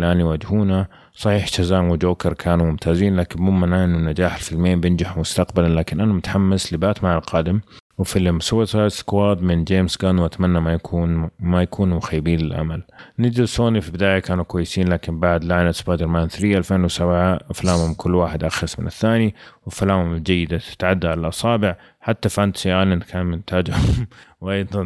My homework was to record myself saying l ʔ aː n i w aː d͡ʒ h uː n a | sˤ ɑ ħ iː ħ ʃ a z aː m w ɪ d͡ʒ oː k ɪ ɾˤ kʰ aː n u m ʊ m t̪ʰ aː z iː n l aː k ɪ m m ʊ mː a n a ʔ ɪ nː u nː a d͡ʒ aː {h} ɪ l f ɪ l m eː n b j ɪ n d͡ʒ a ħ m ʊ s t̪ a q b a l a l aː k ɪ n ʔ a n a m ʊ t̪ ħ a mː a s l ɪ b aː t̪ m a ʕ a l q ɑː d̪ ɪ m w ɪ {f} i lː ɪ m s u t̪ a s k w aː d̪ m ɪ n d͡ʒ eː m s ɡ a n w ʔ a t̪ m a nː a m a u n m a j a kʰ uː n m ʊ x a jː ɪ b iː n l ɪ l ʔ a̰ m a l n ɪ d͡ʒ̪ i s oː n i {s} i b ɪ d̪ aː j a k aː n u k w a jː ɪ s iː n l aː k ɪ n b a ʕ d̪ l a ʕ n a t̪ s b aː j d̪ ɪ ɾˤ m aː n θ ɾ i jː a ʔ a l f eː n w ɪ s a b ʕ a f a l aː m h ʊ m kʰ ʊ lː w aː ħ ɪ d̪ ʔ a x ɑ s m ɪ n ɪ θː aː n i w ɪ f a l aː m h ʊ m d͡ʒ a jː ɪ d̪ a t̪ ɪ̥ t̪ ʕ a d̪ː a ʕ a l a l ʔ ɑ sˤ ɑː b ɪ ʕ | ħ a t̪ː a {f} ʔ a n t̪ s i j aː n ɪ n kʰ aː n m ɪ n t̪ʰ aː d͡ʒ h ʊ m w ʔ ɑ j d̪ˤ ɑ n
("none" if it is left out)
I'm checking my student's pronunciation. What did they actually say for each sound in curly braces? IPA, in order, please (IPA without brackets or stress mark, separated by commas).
ħ, f, f, f